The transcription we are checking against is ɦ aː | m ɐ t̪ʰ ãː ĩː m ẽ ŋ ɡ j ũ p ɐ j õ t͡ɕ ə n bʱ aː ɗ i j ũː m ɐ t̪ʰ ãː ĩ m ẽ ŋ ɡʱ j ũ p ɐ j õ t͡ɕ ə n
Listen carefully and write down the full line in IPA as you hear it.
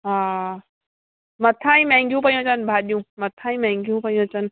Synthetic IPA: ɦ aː | m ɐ t̪ʰ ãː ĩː m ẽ ŋ ɡ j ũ p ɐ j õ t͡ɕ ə n bʱ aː ɗ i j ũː m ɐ t̪ʰ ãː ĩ m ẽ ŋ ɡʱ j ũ p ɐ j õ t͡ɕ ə n